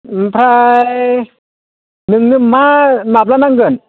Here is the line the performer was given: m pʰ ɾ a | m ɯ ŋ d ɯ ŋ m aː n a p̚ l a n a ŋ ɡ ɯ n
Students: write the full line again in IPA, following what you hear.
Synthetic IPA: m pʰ ɾ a | n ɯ ŋ n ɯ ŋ m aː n a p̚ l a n a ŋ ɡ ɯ n